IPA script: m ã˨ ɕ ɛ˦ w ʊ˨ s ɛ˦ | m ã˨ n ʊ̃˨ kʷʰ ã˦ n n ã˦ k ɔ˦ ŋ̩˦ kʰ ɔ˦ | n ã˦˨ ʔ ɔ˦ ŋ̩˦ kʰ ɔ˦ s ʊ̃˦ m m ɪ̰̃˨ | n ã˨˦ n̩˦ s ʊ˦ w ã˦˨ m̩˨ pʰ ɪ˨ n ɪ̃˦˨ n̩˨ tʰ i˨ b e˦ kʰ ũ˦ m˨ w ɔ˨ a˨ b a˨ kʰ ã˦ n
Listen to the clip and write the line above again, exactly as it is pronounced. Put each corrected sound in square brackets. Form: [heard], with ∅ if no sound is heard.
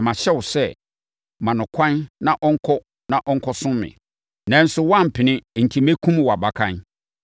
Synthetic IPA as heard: m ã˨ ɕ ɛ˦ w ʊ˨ s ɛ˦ | m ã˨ n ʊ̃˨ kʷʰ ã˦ n n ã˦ [ʔ] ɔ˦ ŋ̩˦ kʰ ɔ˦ | n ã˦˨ ʔ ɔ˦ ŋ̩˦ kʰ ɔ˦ s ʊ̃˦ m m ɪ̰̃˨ | n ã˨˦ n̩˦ s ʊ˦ w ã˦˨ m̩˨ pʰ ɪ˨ n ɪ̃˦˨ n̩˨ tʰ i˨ [m] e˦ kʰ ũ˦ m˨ w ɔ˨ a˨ b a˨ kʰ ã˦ n